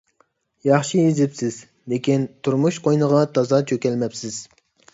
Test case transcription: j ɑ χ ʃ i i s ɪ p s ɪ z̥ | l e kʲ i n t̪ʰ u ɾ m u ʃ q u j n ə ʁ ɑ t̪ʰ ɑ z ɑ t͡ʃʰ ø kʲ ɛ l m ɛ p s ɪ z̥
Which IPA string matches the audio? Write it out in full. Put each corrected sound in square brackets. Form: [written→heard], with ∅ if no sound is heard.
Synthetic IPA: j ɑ χ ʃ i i [s→z] ɪ p s ɪ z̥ | l e kʲ i n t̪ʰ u ɾ m u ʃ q [u→o] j n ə ʁ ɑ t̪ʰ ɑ z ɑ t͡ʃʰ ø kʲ ɛ l m ɛ p s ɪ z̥

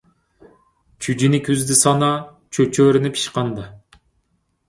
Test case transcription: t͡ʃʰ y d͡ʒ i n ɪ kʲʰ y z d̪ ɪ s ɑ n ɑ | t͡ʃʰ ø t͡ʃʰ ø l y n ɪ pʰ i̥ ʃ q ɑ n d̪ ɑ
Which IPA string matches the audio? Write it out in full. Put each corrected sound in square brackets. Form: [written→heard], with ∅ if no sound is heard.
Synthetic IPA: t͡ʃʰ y d͡ʒ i n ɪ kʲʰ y z d̪ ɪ s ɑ n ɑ | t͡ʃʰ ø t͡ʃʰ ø [l→ɾ] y n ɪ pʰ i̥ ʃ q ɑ n d̪ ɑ

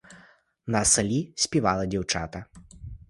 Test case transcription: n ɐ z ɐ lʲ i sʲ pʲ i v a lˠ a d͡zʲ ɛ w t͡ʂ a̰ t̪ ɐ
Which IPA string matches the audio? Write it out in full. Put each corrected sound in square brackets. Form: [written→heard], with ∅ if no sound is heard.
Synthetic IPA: n ɐ [z→s] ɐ lʲ i sʲ pʲ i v a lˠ [a→ɐ] d͡zʲ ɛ w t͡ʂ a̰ t̪ ɐ

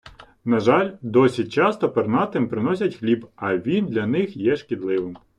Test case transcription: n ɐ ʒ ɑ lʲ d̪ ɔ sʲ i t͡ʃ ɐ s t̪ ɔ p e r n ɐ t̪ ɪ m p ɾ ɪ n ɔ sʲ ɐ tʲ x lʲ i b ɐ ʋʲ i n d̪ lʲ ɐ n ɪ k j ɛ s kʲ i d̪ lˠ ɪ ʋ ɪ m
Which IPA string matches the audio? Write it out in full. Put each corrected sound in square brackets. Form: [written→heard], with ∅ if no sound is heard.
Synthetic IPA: n ɐ ʒ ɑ lʲ d̪ ɔ sʲ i t͡ʃ [ɐ→ɑ] s t̪ ɔ p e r n [ɐ→ɑ] t̪ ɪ m p ɾ ɪ n ɔ sʲ ɐ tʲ x lʲ i b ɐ ʋʲ i n d̪ lʲ ɐ n ɪ [k→x] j ɛ [s→ʃ] kʲ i d̪ lˠ ɪ ʋ ɪ m

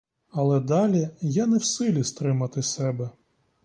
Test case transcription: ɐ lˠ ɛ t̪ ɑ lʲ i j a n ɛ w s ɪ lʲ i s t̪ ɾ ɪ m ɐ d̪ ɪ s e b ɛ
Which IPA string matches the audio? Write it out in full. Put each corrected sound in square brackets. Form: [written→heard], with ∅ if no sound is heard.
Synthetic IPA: ɐ lˠ ɛ [t̪→d̪] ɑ lʲ i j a n ɛ w s ɪ lʲ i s t̪ ɾ ɪ m ɐ [d̪→t̪] ɪ s [e→ɛ] b ɛ

